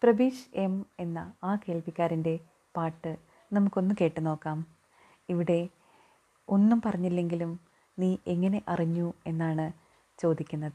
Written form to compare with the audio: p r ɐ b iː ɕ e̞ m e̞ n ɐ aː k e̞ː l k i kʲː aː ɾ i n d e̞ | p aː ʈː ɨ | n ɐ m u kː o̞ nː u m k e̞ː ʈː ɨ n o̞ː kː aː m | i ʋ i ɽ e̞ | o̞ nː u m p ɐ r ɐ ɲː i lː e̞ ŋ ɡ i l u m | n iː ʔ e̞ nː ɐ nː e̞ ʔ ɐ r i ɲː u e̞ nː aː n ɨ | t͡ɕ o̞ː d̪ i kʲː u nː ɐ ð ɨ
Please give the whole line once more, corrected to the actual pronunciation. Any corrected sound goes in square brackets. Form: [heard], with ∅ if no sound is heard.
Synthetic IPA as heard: p r ɐ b iː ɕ e̞ m e̞ [nː] ɐ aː k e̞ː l [p] i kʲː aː ɾ i n d e̞ | p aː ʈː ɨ | n ɐ m u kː o̞ nː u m k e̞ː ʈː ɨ n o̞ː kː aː m | i ʋ i ɽ e̞ | o̞ nː u m p ɐ r ɐ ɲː i lː e̞ ŋ ɡ i l u m | n iː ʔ e̞ [ŋː] ɐ [n] e̞ ʔ ɐ r i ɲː u e̞ nː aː [ɳ] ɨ | t͡ɕ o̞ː d̪ i kʲː u nː ɐ ð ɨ